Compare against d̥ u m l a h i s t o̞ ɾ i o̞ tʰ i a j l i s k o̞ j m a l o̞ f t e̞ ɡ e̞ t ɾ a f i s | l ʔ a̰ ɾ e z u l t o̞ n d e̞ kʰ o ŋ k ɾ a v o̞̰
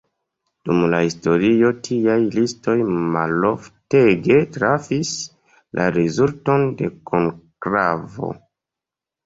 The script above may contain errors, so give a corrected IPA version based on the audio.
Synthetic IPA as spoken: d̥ u m l a h i s t o̞ ɾ i o̞ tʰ i a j l i s t o̞ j m a l o̞ f t e̞ ɡ e̞ t ɾ a f i s | l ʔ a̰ ɾ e z u l t o̞ n d e̞ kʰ o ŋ k ɾ a v o̞̰